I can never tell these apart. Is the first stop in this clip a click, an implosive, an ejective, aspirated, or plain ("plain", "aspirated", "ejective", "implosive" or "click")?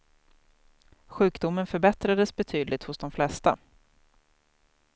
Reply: plain